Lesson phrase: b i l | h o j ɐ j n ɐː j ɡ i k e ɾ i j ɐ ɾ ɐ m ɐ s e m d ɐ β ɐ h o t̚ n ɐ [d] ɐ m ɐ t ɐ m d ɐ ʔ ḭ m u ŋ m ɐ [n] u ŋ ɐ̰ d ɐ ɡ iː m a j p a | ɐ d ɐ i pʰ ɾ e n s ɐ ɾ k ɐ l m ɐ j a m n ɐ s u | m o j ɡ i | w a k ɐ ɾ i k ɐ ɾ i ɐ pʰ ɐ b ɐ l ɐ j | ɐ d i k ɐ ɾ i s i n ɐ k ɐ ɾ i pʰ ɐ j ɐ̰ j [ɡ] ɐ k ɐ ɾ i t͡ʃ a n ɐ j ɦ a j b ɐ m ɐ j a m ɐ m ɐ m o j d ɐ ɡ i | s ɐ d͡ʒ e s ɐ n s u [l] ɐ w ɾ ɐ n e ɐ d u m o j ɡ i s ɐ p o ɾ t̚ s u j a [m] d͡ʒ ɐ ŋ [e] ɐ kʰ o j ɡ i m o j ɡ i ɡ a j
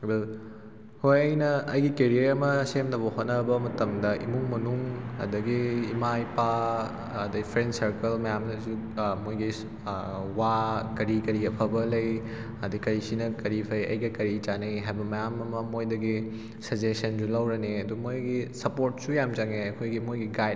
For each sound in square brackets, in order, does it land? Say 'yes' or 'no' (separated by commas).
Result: no, yes, yes, yes, yes, yes